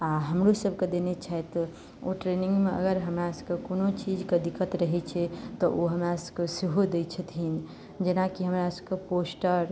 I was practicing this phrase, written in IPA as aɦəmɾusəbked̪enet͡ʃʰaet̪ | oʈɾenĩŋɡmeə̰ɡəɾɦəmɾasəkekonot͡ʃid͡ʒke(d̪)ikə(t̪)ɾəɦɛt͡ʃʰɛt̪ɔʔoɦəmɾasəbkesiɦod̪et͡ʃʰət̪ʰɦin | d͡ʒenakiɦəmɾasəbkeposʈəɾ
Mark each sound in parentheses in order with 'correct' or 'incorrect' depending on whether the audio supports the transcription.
correct, correct

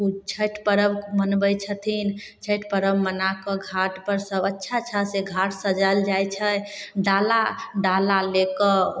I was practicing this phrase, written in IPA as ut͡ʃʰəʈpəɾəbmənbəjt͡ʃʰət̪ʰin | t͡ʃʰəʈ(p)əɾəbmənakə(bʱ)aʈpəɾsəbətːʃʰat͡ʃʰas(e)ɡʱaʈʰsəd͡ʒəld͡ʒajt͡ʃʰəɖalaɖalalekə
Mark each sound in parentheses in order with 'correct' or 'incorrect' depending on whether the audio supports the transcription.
correct, incorrect: ɡʱ, correct

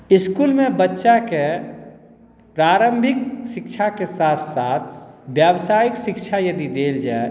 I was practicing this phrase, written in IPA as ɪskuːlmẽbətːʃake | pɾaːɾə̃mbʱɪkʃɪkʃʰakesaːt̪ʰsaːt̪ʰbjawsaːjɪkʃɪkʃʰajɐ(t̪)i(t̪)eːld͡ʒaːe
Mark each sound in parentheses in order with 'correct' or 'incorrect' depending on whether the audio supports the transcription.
incorrect: d̪, incorrect: d̪

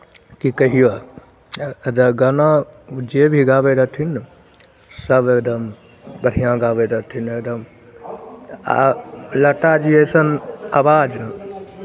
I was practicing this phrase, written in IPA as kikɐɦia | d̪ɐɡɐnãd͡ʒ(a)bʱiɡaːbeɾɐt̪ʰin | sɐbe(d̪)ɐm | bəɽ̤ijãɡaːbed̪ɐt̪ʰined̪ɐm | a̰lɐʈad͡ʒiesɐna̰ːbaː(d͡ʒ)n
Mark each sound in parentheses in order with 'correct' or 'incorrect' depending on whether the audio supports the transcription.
incorrect: e, correct, correct

